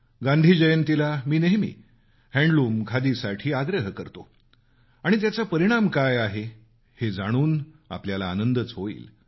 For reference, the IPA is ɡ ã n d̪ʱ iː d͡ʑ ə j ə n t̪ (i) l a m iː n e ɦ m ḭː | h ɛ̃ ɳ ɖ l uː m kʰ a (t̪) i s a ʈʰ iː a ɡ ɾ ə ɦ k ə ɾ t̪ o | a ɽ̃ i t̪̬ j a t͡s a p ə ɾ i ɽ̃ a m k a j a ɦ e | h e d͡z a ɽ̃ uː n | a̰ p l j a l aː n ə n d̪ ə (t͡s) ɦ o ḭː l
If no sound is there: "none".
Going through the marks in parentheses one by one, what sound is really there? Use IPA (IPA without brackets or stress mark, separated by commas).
i, d̪, t͡s